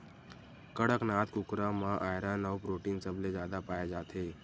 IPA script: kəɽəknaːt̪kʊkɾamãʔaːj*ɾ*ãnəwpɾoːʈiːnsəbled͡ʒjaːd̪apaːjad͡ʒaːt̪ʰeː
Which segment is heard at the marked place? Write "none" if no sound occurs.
ɾ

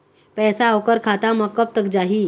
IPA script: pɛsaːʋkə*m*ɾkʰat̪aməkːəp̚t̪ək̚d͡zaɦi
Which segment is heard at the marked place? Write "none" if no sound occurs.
none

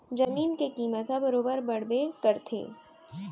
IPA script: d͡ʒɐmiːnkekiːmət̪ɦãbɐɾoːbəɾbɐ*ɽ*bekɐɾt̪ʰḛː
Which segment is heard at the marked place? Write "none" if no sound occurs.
ɽ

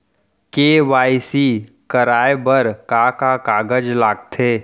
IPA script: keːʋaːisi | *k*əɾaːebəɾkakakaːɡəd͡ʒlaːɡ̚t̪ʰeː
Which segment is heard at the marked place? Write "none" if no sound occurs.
k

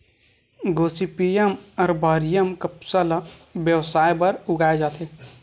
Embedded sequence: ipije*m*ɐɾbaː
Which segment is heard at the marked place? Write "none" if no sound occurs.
m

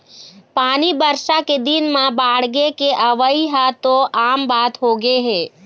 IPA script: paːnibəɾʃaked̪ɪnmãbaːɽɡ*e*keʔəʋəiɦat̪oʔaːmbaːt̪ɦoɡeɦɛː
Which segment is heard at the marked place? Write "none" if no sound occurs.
e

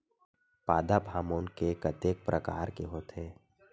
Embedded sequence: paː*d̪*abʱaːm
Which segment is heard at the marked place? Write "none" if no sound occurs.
d̪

